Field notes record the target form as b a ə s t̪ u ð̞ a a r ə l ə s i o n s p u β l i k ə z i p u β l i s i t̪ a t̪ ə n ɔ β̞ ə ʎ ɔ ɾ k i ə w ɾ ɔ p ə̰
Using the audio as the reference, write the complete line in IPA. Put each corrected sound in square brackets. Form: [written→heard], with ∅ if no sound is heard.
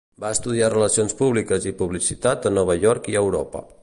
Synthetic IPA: b a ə s t̪ u ð̞ [a→i] a r ə l ə s i o n s p u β l i k ə z i p u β l i s i t̪ a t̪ ə n ɔ β̞ ə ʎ ɔ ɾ k i ə w ɾ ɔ p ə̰